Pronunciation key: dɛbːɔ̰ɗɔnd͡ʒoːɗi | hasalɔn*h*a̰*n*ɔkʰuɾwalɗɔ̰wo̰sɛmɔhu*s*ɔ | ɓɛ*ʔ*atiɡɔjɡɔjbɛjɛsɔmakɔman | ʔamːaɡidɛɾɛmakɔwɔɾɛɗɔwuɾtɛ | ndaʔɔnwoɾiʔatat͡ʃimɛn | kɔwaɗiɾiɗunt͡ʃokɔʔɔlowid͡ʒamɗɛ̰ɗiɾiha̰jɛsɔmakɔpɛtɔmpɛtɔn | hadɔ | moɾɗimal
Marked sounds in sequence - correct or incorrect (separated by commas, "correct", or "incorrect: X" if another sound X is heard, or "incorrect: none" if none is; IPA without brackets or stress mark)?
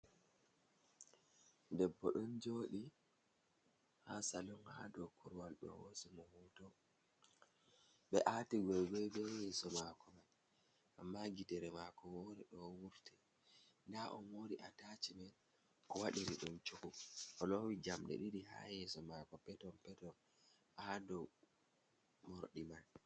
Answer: correct, incorrect: d, incorrect: t, correct